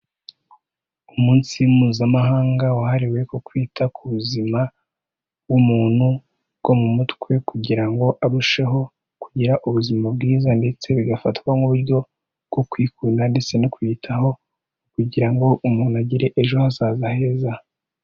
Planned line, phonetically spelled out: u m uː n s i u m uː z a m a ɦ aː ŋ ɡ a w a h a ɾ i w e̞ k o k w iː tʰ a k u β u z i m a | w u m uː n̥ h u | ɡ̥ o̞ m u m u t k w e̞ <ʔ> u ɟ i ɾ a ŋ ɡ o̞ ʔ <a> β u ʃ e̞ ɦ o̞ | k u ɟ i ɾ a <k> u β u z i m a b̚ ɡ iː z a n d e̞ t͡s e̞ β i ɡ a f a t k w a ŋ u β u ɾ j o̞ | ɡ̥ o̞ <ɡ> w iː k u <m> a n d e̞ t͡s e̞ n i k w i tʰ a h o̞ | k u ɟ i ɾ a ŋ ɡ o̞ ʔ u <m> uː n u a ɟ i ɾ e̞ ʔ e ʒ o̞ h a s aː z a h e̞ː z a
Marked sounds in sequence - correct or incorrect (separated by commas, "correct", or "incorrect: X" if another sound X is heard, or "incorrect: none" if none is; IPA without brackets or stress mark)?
incorrect: k, correct, incorrect: ʔ, incorrect: k, incorrect: n, correct